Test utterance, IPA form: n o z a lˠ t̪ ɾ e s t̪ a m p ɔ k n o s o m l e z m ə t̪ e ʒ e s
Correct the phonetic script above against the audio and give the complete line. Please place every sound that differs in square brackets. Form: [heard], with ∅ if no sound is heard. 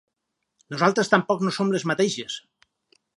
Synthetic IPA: n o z a lˠ t̪ ɾ e s t̪ a m p ɔ k n o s o m l e z m [a] t̪ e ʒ e s